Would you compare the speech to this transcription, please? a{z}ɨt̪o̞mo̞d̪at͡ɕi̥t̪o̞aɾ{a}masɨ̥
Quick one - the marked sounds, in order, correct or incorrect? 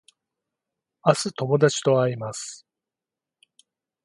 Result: incorrect: s, incorrect: i

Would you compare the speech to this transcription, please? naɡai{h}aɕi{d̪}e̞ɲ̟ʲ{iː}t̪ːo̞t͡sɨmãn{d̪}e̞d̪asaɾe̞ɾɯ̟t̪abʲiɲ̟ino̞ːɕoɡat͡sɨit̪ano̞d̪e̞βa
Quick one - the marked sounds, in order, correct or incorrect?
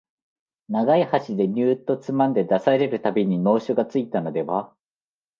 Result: correct, correct, incorrect: ɨː, correct

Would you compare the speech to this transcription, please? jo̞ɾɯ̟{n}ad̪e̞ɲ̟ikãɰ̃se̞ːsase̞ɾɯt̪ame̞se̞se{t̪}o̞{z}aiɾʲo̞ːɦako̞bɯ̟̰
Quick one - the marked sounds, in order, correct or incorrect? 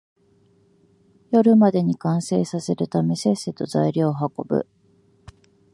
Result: incorrect: m, correct, correct

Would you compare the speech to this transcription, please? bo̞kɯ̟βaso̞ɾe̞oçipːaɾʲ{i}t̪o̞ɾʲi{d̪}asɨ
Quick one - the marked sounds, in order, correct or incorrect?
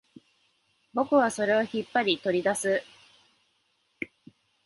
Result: correct, correct

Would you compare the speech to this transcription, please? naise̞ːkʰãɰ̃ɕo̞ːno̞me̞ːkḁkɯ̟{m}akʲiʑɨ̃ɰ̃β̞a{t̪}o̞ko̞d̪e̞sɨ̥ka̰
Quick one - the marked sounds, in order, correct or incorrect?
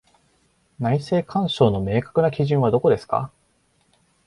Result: incorrect: n, incorrect: d̪

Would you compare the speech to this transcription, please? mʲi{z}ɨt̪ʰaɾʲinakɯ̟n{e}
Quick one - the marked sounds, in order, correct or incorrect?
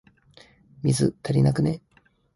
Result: correct, correct

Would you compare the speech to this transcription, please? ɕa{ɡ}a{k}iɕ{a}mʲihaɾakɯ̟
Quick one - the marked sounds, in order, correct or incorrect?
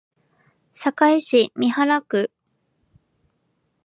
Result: incorrect: k, incorrect: none, incorrect: i

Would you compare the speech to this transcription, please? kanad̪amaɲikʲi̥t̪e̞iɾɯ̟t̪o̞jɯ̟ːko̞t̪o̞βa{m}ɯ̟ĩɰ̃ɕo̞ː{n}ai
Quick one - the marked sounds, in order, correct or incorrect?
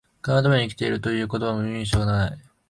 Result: correct, correct

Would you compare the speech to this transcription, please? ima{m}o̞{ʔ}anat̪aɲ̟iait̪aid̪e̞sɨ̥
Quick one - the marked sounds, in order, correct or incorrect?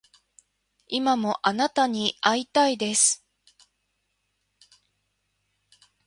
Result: correct, correct

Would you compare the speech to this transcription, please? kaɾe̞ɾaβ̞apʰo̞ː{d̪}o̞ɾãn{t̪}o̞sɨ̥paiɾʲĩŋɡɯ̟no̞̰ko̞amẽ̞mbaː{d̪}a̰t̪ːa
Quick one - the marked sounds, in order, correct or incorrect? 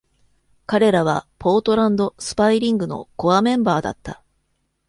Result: incorrect: t̪, incorrect: d̪, correct

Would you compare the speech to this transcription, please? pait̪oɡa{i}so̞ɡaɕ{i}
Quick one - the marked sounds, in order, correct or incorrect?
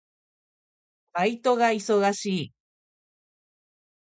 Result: correct, incorrect: iː

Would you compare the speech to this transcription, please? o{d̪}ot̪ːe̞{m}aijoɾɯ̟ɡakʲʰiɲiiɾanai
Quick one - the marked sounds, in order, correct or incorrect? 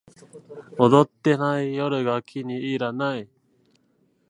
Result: correct, incorrect: n

